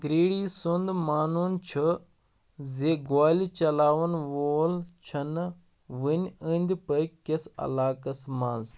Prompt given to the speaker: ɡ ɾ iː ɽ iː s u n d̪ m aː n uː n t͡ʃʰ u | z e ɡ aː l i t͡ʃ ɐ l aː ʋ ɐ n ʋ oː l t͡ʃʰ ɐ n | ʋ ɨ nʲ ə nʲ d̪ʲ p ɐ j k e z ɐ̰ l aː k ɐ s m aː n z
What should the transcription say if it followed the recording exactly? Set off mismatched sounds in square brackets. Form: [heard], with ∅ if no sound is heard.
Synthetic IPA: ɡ ɾ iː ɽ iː s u n d̪ m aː n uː n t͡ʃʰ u | z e ɡ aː l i t͡ʃ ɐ l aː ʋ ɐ n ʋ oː l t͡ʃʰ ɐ n | ʋ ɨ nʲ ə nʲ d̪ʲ p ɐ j k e [s] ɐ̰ l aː k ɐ s m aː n z